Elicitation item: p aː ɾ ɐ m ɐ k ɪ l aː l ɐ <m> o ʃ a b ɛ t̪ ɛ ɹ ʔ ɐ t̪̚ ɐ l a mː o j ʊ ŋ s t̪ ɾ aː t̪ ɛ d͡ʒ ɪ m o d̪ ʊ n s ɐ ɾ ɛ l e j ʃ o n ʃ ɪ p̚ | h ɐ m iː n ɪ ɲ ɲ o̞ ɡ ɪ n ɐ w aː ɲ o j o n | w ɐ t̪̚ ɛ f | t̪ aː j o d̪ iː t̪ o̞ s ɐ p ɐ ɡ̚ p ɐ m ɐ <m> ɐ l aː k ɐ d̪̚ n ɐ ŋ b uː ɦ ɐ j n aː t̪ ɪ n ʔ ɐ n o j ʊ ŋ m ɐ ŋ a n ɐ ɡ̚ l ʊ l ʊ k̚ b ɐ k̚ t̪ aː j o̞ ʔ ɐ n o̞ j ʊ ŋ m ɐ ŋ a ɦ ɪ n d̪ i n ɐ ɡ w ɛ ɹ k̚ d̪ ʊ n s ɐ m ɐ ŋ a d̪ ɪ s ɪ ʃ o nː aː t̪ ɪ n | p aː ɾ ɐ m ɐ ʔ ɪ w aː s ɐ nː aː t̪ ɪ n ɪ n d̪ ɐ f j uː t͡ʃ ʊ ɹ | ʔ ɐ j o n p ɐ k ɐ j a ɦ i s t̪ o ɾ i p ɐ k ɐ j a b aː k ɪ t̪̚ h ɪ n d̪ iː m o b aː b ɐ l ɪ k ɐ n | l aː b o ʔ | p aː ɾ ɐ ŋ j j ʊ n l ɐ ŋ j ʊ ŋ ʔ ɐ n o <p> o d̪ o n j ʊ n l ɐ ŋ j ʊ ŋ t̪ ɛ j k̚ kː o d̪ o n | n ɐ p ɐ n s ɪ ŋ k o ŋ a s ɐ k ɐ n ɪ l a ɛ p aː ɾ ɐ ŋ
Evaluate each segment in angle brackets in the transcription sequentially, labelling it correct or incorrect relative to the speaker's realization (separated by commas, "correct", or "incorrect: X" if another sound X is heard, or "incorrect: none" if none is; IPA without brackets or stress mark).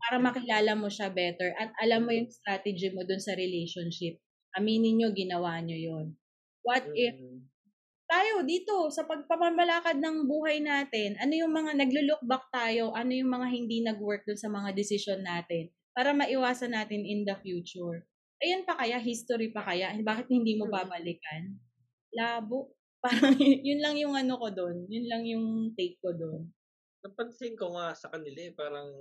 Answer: correct, correct, incorrect: k